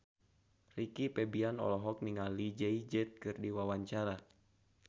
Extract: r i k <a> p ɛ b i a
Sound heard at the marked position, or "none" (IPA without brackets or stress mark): i